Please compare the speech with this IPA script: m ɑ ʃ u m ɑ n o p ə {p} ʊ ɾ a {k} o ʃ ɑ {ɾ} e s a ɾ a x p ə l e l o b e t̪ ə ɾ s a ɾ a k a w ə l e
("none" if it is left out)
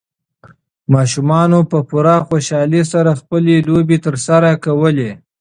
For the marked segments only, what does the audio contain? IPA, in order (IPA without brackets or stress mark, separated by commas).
p, x, l